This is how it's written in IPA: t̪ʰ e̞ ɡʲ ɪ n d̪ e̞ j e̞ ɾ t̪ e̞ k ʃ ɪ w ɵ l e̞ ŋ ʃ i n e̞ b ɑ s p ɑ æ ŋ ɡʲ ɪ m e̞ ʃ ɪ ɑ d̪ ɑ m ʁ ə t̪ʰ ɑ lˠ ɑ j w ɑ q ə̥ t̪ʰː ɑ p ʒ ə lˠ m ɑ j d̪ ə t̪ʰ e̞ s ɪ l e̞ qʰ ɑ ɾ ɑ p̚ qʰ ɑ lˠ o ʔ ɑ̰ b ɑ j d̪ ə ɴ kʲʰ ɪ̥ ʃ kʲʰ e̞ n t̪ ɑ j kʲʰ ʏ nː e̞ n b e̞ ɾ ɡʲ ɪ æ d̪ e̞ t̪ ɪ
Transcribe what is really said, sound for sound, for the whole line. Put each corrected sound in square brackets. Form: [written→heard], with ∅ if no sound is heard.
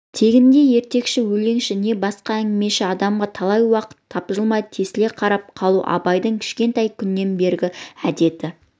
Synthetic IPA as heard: t̪ʰ e̞ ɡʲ ɪ n d̪ e̞ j e̞ ɾ t̪ e̞ k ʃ ɪ w ɵ l e̞ ŋ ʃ [i→ɪ] n e̞ b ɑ s [p→q] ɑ æ ŋ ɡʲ ɪ m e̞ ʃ ɪ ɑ d̪ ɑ m ʁ [ə→ɑ] t̪ʰ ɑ lˠ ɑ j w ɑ q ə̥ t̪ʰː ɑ p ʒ ə lˠ m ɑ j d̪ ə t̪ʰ e̞ s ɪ l e̞ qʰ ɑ ɾ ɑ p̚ qʰ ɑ lˠ [o→u] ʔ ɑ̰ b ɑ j d̪ ə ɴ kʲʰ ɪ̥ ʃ [kʲʰ→kʲ] e̞ n t̪ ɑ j kʲʰ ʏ nː e̞ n b e̞ ɾ ɡʲ ɪ æ d̪ e̞ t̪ ɪ